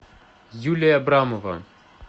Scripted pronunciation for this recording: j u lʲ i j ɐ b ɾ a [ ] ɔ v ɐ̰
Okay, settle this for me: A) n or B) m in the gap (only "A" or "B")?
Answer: B